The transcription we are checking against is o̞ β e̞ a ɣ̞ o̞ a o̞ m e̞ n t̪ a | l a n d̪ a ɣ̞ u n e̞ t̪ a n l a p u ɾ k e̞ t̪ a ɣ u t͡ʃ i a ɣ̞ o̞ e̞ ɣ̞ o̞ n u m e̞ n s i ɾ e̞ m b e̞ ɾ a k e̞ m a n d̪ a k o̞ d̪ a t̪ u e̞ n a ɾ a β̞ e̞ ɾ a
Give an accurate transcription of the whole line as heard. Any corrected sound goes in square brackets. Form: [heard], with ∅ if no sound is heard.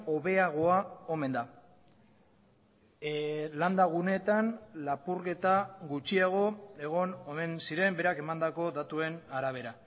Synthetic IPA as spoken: o̞ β e̞ a ɣ̞ o̞ a o̞ m e̞ n [d̪] a | l a n d̪ a ɣ̞ u n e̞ t̪ a n l a p u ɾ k e̞ t̪ a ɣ u t͡ʃ i a ɣ̞ o̞ e̞ ɣ̞ o̞ n [o] m e̞ n s i ɾ e̞ m b e̞ ɾ a k e̞ m a n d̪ a k o̞ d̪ a t̪ u e̞ n a ɾ a β̞ e̞ ɾ a